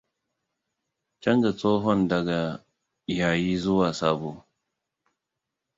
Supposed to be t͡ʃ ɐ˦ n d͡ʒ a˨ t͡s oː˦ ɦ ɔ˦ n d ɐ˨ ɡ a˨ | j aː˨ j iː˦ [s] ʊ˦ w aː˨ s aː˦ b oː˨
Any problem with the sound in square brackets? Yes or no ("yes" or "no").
yes